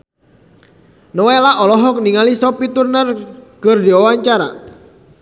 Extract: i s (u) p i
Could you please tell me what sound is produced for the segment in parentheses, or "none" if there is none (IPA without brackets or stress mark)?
ɔ